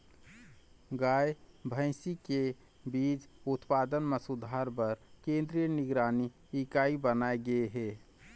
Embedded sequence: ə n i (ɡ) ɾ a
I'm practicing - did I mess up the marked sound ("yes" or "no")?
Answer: no